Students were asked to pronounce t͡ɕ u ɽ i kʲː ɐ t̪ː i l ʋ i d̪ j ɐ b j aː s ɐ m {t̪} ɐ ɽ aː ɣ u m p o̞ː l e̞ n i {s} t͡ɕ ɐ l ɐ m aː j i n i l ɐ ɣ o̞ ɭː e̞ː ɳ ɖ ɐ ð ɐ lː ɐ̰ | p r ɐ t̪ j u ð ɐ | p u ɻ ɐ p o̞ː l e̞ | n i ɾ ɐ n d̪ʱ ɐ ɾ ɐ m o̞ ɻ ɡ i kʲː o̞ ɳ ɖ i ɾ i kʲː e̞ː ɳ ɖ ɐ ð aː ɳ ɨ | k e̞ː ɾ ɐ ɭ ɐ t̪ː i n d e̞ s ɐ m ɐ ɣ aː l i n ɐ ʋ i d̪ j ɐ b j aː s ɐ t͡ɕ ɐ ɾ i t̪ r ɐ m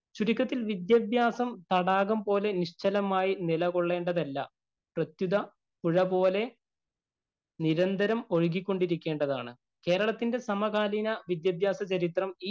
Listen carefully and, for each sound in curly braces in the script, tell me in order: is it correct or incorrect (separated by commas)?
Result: correct, incorrect